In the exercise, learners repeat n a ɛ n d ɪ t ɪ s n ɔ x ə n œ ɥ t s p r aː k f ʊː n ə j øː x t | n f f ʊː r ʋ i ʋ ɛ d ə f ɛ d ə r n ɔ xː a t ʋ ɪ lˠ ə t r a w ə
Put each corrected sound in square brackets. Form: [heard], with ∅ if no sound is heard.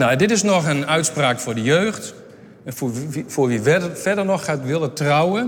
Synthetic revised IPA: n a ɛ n d ɪ t ɪ s n ɔ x ə n œ ɥ t s p r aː k f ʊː [d] ə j øː x t | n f f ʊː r ʋ i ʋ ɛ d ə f ɛ d ə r n ɔ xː a t ʋ ɪ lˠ ə t r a w ə